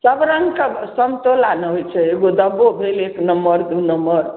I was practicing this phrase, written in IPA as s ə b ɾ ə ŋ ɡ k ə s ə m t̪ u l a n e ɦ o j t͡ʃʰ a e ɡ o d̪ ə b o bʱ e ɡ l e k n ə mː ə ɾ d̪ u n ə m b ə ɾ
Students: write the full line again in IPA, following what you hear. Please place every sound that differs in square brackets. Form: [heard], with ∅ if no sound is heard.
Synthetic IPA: s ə b ɾ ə ŋ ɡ k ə s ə m t̪ [o] l a n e ɦ o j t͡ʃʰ [ɛ] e ɡ o d̪ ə b o bʱ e [∅] l e k n ə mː ə ɾ d̪ u n ə m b ə ɾ